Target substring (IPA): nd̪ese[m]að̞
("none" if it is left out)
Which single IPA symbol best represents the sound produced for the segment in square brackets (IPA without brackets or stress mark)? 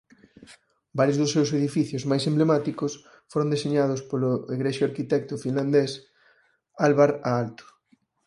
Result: ɲ